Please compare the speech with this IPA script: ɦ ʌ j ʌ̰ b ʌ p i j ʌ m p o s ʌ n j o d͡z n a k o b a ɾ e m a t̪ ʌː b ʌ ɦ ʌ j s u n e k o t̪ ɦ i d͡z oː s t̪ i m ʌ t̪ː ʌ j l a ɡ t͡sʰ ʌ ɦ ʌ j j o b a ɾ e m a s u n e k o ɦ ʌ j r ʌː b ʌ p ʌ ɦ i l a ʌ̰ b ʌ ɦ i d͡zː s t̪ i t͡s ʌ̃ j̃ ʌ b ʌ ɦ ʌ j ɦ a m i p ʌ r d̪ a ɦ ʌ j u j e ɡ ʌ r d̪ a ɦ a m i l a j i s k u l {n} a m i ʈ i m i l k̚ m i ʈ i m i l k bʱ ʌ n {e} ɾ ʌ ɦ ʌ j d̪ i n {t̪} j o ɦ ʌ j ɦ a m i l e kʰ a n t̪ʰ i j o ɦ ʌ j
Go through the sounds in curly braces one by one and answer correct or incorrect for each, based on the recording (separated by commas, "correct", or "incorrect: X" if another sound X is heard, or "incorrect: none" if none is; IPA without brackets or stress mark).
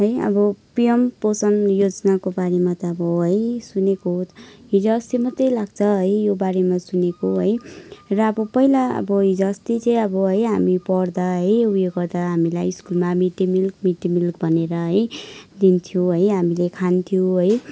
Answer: incorrect: m, correct, incorrect: t̪ʰ